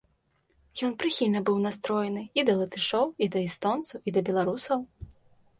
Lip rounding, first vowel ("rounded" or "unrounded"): rounded